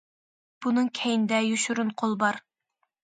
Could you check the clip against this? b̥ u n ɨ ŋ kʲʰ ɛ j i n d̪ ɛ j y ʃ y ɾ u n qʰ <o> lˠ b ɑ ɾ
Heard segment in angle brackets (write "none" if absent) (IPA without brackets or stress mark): o